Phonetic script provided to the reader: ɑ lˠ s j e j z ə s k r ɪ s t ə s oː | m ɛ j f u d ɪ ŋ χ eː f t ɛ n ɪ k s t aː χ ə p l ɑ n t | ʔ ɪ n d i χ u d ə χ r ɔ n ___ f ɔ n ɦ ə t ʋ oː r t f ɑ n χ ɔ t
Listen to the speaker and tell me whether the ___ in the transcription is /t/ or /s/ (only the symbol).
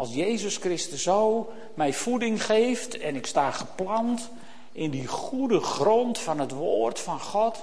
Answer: t